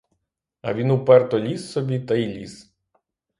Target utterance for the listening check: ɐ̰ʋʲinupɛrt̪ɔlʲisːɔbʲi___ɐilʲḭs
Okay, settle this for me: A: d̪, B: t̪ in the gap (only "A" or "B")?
B